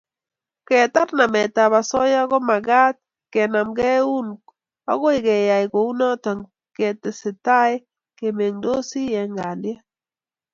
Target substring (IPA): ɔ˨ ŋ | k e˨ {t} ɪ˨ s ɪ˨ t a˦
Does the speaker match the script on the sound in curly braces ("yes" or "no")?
yes